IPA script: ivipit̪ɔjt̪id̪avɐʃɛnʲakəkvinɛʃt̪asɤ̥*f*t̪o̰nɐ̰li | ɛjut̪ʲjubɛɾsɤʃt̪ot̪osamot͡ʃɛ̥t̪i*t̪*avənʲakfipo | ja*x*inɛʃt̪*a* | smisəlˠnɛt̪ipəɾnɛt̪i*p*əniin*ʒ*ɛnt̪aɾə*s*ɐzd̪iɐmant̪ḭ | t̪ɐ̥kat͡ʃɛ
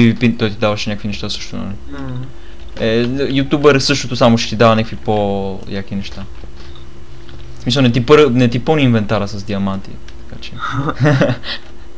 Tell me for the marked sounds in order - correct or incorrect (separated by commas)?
incorrect, incorrect, incorrect, correct, correct, incorrect, correct